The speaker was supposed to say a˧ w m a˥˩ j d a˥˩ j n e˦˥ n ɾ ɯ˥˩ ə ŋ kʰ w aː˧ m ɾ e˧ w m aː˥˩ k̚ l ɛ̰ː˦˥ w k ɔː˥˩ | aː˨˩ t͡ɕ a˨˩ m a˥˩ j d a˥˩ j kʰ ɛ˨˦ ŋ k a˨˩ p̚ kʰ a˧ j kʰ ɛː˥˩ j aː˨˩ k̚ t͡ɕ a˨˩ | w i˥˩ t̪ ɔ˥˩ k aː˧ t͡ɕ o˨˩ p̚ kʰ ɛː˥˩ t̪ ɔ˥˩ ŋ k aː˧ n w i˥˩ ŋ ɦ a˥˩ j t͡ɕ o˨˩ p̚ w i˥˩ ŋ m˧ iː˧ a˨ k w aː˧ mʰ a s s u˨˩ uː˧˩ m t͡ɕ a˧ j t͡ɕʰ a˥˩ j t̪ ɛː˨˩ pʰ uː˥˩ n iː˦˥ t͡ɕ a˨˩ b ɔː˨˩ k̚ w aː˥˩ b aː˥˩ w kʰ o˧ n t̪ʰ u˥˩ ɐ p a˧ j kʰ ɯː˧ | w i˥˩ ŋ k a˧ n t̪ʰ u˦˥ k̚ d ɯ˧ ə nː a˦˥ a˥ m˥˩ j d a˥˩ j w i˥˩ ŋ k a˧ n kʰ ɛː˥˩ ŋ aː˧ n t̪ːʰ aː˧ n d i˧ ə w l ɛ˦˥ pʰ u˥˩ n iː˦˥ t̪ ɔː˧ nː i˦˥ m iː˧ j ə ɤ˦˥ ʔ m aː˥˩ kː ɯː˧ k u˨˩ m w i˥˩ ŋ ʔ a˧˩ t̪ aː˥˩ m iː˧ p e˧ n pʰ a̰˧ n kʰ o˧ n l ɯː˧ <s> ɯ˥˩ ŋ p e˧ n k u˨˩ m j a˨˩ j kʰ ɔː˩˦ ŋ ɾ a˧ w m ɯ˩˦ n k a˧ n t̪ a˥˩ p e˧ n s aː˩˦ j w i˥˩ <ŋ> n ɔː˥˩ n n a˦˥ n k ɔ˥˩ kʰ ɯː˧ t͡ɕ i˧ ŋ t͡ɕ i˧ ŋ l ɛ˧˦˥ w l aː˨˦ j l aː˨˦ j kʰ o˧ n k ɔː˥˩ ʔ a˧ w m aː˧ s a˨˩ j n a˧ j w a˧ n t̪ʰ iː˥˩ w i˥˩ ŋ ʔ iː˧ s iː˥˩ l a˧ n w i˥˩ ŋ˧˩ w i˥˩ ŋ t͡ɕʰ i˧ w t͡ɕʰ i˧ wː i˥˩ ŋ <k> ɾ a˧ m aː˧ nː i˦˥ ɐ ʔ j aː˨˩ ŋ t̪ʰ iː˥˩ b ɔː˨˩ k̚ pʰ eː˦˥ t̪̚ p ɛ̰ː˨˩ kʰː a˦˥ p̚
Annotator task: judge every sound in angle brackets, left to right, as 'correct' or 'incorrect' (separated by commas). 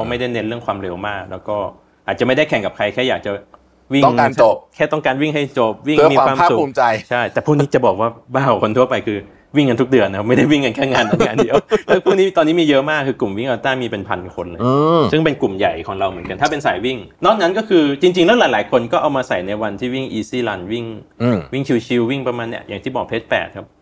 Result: correct, correct, incorrect